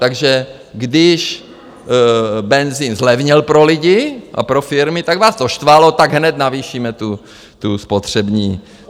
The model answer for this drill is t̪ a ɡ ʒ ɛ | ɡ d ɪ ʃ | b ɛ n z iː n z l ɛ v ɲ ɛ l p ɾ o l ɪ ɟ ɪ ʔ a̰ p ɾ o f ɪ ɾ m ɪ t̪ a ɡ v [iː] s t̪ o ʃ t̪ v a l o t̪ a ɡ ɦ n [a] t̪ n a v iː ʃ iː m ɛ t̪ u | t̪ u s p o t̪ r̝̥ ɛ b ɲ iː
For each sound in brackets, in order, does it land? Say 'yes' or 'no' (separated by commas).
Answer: no, no